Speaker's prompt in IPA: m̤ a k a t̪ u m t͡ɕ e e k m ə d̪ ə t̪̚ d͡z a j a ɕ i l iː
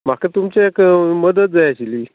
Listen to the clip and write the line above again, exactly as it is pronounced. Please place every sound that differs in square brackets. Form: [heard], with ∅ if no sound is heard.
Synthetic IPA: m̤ a k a t̪ u m t͡ɕ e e k m ə d̪ ə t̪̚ d͡z a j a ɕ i l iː